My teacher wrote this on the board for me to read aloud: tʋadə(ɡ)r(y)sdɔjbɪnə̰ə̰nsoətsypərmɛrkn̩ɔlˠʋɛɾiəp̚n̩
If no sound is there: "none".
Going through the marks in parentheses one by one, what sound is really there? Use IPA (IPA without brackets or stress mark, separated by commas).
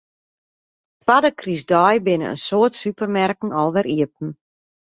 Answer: k, i